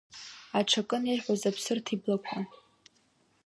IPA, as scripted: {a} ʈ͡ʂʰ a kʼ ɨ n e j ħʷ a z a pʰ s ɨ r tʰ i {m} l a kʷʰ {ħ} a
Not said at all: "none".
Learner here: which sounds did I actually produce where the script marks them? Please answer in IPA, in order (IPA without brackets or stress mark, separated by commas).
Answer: a, b, ħ